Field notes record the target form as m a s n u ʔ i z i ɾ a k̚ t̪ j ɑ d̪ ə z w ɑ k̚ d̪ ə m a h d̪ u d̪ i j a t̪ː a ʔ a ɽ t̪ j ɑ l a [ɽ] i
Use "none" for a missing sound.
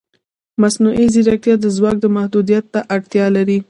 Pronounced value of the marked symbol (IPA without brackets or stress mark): ɾ